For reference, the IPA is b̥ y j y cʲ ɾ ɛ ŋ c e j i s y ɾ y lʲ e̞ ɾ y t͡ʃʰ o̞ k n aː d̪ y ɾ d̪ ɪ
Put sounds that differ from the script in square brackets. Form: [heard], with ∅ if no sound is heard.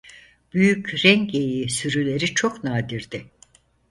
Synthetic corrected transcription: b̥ y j y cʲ ɾ ɛ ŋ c e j i s y ɾ y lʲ e̞ ɾ [i] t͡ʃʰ o̞ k n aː d̪ [i] ɾ d̪ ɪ